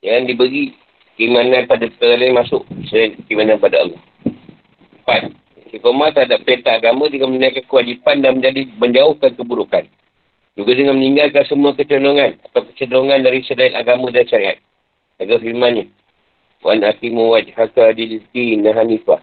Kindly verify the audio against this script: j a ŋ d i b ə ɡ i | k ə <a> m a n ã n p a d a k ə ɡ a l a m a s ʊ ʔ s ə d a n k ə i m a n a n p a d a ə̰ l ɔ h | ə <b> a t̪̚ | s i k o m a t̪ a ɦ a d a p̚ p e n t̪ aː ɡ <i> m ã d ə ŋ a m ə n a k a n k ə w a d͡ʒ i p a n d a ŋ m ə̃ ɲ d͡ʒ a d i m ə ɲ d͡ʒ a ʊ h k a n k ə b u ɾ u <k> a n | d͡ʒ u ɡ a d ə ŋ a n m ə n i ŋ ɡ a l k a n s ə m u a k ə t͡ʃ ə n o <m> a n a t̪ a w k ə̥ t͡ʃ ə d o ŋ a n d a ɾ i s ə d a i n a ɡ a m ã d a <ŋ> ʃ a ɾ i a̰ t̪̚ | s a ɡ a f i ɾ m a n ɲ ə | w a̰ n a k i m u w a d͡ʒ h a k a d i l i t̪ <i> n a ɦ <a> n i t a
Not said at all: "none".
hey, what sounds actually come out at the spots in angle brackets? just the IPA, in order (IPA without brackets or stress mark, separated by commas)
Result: i, p, a, k, ŋ, n, i, a